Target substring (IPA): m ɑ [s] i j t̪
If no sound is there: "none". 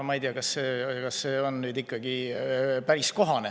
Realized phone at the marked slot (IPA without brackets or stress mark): none